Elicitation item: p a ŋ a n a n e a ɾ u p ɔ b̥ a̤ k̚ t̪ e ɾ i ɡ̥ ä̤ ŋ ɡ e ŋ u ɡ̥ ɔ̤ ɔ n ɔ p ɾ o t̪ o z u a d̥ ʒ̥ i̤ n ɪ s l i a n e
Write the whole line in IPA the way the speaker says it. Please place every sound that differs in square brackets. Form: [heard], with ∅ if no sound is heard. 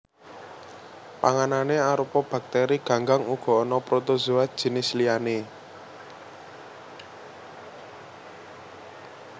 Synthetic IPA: p a ŋ a n a n e a ɾ u p ɔ b̥ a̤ k̚ t̪ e ɾ i ɡ̥ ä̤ ŋ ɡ [a] ŋ u ɡ̥ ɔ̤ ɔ n ɔ p ɾ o t̪ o z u a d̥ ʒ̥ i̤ n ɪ s l i a n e